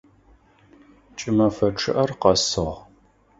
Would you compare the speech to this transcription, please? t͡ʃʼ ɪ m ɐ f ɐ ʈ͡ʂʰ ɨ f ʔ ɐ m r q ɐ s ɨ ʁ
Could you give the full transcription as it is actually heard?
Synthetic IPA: t͡ʃʼ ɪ m ɐ f ɐ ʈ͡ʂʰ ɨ ʔ ɐ r q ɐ s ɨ ʁ

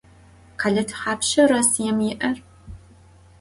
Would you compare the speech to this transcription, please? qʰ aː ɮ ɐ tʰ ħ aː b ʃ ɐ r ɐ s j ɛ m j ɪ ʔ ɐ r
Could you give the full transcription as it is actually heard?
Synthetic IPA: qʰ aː ɮ ɐ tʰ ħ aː p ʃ ɐ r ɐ s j ɛ m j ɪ ʔ ɐ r

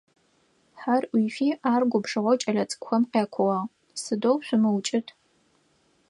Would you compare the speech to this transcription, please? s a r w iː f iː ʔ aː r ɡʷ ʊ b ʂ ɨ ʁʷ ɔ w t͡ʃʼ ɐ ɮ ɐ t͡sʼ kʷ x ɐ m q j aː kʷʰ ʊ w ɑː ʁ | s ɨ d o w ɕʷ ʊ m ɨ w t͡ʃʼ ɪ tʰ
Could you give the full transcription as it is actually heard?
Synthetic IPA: ħ a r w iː f iː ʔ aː r ɡʷ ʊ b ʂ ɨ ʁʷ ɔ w t͡ʃʼ ɐ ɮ ɐ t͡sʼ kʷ x ɐ m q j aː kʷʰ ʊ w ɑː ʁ | s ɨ d o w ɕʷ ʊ m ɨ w t͡ʃʼ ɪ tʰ

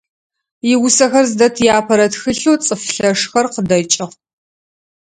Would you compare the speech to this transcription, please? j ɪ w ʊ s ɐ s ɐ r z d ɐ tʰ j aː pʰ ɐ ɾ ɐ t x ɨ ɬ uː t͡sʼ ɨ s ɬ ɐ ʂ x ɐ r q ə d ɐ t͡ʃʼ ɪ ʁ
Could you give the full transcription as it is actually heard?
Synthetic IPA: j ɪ w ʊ s ɐ x ɐ r z d ɐ tʰ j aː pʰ ɐ ɾ ɐ t x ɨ ɬ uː t͡sʼ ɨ f ɬ ɐ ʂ x ɐ r q ə d ɐ t͡ʃʼ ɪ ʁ

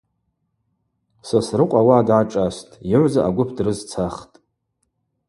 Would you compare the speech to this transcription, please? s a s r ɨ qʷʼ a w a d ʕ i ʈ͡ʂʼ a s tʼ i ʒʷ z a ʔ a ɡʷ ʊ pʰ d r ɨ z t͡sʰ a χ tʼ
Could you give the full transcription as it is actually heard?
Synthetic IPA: s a s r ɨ qʷʼ a w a d ʕ a ʈ͡ʂʼ a s tʼ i ʕʷ z a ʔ a ɡʷ ʊ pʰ d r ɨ z t͡sʰ a χ tʼ

